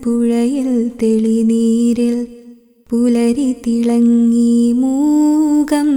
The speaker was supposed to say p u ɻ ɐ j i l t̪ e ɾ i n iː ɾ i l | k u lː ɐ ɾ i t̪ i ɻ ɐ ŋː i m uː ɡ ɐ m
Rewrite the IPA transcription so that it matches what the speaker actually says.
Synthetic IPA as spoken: p u ɻ ɐ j i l t̪ e ɭ i n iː ɾ i l | p u l ɐ ɾ i t̪ i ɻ ɐ ŋː i m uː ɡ ɐ m